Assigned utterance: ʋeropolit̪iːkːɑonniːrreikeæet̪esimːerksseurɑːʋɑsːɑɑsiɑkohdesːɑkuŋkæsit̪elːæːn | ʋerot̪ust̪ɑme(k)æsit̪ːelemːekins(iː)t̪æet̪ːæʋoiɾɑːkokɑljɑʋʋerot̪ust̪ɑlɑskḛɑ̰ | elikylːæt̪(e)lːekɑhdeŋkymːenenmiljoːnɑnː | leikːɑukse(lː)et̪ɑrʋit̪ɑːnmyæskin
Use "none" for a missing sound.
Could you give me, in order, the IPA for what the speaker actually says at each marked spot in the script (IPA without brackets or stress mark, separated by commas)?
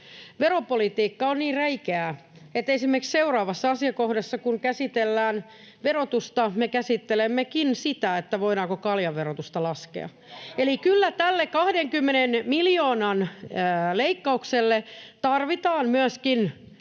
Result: k, i, æ, lː